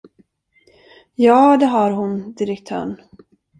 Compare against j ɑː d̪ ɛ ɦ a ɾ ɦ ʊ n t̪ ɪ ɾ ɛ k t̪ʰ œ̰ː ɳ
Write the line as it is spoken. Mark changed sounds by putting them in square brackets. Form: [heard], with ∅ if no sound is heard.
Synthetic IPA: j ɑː d̪ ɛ ɦ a ɾ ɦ ʊ n [d̪] ɪ ɾ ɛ k t̪ʰ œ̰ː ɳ